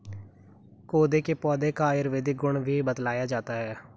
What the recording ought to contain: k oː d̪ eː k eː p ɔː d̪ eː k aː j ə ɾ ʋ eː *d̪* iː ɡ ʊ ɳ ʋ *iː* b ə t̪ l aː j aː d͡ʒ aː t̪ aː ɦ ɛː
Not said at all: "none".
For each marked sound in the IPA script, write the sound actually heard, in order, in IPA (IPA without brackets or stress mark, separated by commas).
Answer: d̪, iː